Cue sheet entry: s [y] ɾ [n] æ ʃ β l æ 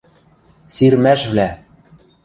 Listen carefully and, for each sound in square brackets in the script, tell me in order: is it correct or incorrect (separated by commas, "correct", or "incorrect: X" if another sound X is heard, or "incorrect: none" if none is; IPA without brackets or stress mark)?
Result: incorrect: i, incorrect: m